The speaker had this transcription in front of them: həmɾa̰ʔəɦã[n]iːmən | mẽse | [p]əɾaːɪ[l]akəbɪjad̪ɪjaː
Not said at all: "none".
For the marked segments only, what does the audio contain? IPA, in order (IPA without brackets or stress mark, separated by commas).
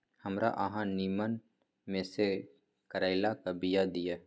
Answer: n, k, l